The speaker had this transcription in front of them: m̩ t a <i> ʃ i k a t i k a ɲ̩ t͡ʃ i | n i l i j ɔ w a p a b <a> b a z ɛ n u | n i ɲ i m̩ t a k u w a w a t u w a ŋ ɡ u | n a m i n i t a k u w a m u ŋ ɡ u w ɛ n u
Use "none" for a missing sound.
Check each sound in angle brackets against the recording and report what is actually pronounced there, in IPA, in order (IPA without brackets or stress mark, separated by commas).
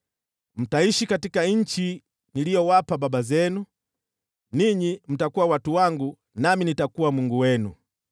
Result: i, a